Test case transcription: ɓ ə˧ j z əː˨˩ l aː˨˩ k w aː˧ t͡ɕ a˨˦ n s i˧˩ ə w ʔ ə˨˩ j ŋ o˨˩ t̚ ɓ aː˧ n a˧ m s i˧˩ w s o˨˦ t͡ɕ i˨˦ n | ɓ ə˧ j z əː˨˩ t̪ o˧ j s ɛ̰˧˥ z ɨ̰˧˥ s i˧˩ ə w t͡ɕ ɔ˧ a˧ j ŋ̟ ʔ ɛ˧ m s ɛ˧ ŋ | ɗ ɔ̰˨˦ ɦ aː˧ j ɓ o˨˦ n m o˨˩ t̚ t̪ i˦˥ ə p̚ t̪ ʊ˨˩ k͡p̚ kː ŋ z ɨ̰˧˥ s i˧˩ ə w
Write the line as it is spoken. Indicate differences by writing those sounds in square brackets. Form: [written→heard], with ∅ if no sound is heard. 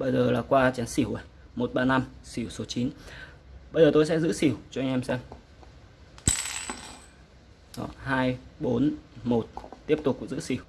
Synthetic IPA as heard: ɓ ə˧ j z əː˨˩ l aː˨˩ k w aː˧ t͡ɕ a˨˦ n s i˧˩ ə w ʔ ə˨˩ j [ŋ→m] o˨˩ t̚ ɓ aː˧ n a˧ m s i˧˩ w s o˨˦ t͡ɕ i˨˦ n | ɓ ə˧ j z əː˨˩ t̪ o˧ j s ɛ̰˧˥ z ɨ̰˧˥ s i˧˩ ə w t͡ɕ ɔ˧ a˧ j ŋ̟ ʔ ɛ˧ m s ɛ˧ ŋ | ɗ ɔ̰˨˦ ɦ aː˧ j ɓ o˨˦ n m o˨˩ t̚ t̪ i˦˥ ə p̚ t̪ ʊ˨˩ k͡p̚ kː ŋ z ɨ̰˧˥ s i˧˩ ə w